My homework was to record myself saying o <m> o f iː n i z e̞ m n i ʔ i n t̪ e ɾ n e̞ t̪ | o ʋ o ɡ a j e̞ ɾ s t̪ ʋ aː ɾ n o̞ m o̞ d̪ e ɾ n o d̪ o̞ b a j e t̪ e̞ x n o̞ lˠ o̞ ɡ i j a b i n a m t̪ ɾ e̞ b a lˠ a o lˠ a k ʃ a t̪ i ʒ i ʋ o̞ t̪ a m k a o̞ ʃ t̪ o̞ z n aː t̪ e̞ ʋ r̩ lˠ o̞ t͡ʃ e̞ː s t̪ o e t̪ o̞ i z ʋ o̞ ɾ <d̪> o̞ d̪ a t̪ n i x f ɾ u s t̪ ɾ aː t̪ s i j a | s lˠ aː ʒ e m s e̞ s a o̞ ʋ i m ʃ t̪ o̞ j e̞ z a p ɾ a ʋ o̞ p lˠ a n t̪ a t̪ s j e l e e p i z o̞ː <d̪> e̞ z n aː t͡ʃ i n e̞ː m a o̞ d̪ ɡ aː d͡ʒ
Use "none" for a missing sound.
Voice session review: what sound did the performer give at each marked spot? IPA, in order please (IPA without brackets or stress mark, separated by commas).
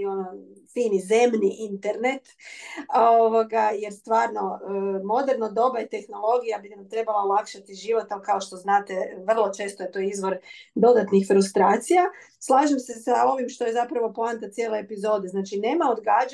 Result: n, d̪, d̪